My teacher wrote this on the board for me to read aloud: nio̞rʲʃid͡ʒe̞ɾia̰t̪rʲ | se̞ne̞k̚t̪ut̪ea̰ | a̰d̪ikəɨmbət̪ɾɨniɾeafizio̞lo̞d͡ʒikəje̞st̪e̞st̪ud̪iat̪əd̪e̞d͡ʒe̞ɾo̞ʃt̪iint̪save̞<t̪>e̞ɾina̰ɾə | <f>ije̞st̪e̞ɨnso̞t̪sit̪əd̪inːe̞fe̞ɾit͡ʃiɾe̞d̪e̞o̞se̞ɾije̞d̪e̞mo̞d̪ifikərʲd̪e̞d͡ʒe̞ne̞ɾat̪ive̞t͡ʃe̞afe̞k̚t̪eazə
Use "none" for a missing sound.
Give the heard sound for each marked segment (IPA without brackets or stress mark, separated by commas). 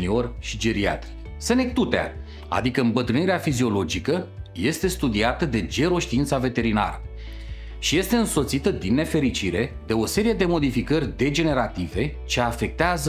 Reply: t̪, ʃ